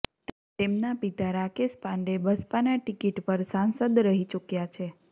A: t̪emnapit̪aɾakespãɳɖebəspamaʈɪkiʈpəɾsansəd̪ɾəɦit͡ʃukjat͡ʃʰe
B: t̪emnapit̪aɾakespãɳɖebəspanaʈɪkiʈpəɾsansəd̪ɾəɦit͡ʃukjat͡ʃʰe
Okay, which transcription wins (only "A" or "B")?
B